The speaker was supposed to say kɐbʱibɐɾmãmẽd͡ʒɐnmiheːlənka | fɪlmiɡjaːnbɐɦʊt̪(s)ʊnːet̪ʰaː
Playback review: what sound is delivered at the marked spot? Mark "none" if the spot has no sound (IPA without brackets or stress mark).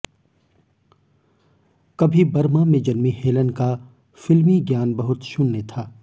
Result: ʃ